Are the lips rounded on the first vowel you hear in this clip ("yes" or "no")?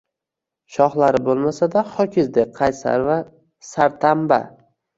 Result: yes